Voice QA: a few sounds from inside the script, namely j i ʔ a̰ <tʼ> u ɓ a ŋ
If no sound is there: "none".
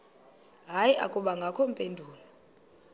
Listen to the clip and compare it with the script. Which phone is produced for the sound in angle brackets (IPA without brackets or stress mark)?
kʼ